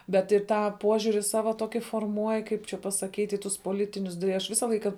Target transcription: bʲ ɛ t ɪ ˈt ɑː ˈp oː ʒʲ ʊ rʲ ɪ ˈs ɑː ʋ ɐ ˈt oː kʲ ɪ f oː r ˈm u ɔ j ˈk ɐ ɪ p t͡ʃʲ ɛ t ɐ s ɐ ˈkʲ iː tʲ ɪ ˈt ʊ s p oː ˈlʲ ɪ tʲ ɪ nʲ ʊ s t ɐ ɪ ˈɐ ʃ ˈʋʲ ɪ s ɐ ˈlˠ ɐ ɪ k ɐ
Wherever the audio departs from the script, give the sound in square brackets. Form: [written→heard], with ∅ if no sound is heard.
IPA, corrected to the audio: bʲ ɛ t ɪ ˈt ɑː ˈp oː ʒʲ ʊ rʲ ɪ ˈs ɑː ʋ ɐ ˈt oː kʲ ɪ f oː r ˈm u ɔ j ˈk ɐ ɪ p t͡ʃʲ ɛ [t→p] ɐ s ɐ ˈkʲ iː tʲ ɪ ˈt ʊ s p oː ˈlʲ ɪ tʲ ɪ nʲ ʊ s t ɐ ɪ ˈɐ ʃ ˈʋʲ ɪ s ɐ ˈlˠ ɐ ɪ k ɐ